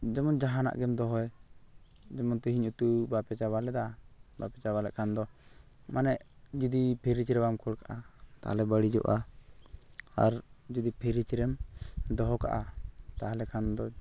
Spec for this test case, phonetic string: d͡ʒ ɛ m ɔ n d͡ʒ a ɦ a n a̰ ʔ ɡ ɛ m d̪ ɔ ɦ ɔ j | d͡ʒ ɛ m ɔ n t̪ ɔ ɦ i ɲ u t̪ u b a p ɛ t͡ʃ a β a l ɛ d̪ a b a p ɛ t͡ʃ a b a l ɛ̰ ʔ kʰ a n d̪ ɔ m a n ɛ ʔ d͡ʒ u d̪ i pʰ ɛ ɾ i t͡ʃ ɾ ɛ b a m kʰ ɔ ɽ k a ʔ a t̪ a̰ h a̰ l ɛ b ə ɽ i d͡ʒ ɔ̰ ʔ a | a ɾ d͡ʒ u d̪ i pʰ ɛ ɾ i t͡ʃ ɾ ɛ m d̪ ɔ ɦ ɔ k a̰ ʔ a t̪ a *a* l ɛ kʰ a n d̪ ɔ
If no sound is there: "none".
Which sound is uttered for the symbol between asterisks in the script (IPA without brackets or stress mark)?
a